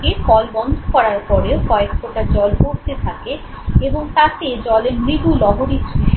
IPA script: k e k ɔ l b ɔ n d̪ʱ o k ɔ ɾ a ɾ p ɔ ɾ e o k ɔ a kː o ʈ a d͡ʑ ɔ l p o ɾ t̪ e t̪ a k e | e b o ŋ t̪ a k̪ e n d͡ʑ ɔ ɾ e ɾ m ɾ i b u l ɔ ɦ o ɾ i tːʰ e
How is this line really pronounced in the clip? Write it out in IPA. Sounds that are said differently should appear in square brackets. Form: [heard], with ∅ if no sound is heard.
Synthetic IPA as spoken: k e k ɔ l b ɔ n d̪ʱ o k ɔ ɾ a ɾ p ɔ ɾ e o k ɔ [e] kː o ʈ a d͡ʑ ɔ l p o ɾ t̪ e [t̪ʰ] a k e | e b o ŋ t̪ a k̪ e [∅] d͡ʑ ɔ [l] e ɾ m ɾ i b u l ɔ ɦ o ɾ i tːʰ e